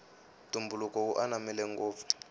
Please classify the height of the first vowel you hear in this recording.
high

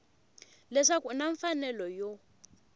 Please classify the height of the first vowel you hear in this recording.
mid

